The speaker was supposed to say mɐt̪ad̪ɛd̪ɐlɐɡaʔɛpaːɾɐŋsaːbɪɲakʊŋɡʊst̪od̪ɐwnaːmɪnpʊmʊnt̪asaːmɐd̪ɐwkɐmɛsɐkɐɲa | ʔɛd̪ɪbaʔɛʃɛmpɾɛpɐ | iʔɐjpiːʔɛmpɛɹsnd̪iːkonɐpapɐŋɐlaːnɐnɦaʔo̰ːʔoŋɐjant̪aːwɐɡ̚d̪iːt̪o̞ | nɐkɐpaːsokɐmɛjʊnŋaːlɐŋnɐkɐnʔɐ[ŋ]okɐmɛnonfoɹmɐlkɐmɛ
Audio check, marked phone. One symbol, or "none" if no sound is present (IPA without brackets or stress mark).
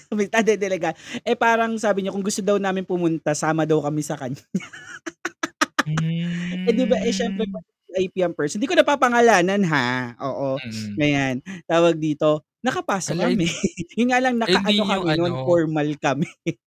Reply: n